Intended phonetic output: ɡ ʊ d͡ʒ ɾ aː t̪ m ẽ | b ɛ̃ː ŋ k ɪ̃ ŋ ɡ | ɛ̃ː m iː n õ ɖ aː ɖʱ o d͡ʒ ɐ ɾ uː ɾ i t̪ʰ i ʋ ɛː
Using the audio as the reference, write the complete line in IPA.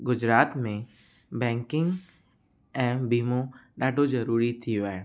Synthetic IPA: ɡ ʊ d͡ʒ ɾ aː t̪ m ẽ | b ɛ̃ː ŋ k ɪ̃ ŋ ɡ | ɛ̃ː b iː m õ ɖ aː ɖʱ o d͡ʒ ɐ ɾ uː ɾ i t̪ʰ i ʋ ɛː